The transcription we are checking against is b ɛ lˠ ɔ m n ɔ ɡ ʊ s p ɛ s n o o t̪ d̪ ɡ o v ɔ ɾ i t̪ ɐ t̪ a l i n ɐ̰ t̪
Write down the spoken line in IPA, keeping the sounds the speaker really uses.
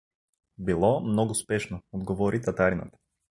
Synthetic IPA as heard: b i lˠ ɔ m n ɔ ɡ ʊ s p ɛ ʃ n o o d̪ ɡ o v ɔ ɾ i t̪ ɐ t̪ a ɾ i n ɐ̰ t̪

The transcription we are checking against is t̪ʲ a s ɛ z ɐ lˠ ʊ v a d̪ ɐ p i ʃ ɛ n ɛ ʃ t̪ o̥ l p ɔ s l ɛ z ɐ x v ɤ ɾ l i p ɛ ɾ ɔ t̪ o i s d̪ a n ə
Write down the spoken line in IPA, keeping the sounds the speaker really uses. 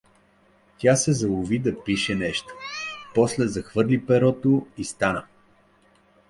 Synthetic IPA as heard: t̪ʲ a s ɛ z ɐ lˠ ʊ v i d̪ ɐ p i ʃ ɛ n ɛ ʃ t̪ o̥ p ɔ s l ɛ z ɐ x v ɤ ɾ l i p ɛ ɾ ɔ t̪ o i s t̪ a n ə

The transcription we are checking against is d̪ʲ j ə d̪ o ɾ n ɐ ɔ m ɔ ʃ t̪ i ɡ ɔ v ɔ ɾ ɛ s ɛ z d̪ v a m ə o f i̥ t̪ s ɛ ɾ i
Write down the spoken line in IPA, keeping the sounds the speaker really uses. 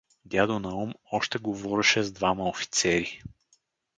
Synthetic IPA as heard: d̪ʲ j a d̪ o n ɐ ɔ m ɔ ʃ t̪ ɛ ɡ o v ɔ ɾ ɛ ʃ ɛ z d̪ v a m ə o f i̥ t̪ s ɛ ɾ i

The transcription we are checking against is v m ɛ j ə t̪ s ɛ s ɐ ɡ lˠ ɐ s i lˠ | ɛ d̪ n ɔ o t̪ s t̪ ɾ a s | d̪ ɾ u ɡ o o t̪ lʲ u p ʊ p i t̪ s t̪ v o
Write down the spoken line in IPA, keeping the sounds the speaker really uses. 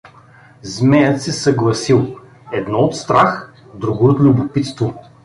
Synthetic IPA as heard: z m ɛ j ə t̪ s ɛ s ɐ ɡ lˠ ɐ s i lˠ | ɛ d̪ n ɔ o t̪ s t̪ ɾ a x | d̪ ɾ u ɡ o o t̪ lʲ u b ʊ p i t̪ s t̪ v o

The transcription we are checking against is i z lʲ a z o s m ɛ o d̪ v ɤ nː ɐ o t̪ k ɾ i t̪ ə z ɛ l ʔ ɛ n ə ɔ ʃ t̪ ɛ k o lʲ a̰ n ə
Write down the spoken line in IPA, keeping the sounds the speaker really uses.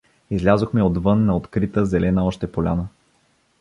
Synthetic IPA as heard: i z lʲ a z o x m ɛ o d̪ v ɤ nː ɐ o t̪ k ɾ i t̪ ə z ɛ l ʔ ɛ n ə ɔ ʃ t̪ ɛ p o lʲ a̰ n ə

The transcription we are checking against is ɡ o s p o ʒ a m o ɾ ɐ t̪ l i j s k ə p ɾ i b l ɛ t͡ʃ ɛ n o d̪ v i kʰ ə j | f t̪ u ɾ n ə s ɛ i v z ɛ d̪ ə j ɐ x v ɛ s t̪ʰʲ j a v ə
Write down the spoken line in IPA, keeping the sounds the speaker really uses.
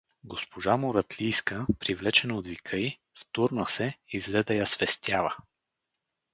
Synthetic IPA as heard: ɡ o s p o ʒ a m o ɾ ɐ t̪ l i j s k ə p ɾ i v l ɛ t͡ʃ ɛ n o d̪ v i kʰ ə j | f t̪ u ɾ n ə s ɛ i v z ɛ d̪ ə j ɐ s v ɛ s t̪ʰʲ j a v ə

